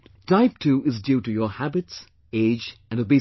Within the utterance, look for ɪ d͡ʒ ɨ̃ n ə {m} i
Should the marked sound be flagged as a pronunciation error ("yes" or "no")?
yes